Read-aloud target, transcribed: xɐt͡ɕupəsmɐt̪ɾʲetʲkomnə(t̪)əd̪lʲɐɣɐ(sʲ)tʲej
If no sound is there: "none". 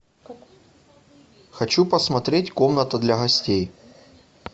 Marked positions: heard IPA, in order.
t̪, sʲ

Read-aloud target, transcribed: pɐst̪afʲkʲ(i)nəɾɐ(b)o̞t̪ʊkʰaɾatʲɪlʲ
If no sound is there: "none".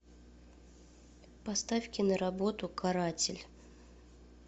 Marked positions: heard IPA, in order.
ɪ, b

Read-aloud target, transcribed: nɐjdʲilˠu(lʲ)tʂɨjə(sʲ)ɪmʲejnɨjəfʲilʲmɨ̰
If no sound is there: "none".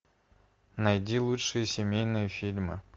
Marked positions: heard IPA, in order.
none, sʲ

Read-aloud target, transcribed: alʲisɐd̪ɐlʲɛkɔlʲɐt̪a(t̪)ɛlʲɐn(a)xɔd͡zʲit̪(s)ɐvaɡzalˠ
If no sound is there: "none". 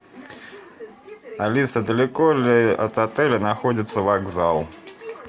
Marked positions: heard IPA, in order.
t̪, a, sː

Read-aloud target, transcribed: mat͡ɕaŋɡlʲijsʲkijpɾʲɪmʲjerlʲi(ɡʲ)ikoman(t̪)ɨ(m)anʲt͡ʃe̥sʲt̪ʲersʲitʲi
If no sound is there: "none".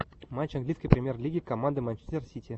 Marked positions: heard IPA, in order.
ɡʲ, d̪, m

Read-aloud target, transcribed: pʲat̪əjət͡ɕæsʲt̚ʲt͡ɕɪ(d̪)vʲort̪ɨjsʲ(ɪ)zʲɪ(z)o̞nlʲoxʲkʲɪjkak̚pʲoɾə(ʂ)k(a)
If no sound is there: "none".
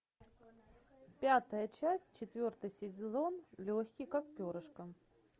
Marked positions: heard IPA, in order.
t̪, ɪ, z, ʂ, ə

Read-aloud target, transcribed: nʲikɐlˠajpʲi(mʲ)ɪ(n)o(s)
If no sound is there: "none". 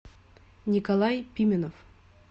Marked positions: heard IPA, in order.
mʲ, n, f

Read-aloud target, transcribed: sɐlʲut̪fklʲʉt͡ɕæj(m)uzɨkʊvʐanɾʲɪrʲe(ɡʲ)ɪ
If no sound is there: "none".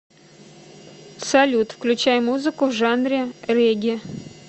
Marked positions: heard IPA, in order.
m, ɡʲ

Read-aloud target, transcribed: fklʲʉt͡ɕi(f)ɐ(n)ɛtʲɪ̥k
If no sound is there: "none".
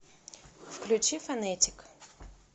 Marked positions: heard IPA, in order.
f, n

